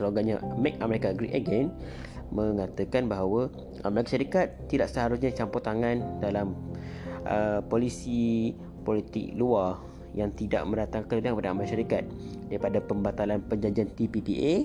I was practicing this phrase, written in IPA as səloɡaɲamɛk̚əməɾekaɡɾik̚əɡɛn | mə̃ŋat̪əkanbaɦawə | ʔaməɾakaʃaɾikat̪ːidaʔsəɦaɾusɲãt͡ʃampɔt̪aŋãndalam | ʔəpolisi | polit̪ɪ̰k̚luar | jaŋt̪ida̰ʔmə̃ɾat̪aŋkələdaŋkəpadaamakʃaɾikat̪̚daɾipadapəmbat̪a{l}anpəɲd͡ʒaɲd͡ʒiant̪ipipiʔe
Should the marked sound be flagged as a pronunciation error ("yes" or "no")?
no